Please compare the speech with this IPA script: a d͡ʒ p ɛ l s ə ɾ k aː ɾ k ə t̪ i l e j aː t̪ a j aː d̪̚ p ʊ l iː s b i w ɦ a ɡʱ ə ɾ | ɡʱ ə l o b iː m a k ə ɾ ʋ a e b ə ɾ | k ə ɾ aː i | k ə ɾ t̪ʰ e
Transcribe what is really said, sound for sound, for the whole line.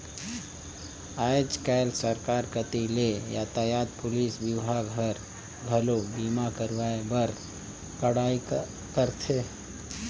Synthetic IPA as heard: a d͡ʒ k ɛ l s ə ɾ k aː ɾ k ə t̪ i l e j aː t̪ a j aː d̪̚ p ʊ l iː s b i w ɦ a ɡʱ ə ɾ | ɡʱ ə l o b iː m a k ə ɾ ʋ a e b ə ɾ | k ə ɽ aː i | k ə ɾ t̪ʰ e